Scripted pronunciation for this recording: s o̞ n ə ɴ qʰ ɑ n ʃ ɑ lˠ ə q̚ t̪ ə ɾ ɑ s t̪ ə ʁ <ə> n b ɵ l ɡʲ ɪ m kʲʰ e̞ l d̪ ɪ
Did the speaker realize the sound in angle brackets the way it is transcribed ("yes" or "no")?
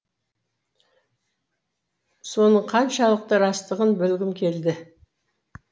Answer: yes